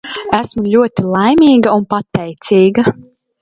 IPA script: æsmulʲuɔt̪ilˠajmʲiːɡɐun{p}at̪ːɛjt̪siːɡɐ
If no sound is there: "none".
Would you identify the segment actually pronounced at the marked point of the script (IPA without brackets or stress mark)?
p